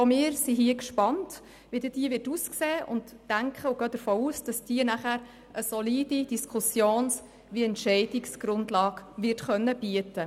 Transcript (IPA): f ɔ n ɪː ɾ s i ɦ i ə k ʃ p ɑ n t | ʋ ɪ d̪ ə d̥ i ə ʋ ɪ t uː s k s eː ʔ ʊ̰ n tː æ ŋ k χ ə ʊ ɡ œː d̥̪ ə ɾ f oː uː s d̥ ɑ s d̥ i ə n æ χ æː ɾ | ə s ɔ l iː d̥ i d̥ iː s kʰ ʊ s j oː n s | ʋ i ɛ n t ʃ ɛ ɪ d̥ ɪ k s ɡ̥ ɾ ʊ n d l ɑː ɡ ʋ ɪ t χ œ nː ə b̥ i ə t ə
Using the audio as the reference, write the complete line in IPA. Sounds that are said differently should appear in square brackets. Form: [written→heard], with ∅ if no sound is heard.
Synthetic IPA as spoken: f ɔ [n→m] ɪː ɾ s i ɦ i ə k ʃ p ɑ n t | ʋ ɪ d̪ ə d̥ i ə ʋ ɪ t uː s k s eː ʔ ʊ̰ n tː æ ŋ k χ ə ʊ ɡ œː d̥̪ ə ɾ f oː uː s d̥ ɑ s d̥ i ə n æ χ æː ɾ | ə s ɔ l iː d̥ i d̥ [iː→i] s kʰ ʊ s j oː n s | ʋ i ɛ n t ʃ ɛ ɪ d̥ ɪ k s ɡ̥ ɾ ʊ n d l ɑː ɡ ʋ ɪ t χ œ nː ə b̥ i ə t ə